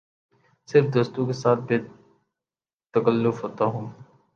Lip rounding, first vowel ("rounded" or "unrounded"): unrounded